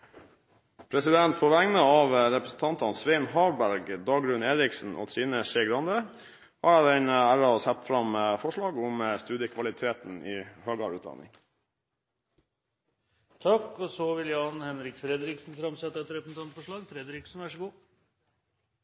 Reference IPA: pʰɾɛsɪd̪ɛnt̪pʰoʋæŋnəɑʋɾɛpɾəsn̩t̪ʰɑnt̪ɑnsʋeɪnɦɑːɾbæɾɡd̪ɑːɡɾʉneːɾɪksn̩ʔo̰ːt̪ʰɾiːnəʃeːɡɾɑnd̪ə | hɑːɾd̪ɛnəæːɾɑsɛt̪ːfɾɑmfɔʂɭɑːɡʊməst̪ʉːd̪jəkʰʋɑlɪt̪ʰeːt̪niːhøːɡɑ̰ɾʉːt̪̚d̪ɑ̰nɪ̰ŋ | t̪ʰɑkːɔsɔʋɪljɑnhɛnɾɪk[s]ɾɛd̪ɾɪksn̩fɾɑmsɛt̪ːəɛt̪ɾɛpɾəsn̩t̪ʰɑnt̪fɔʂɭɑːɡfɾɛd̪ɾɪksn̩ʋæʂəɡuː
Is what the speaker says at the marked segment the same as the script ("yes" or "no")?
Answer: no